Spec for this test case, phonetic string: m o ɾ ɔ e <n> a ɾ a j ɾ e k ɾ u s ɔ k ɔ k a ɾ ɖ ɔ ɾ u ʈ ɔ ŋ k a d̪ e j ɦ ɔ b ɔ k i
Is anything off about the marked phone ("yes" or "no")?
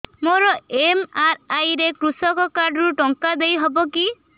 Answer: yes